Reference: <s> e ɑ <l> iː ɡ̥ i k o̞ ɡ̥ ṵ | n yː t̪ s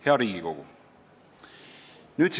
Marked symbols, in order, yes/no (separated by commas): no, no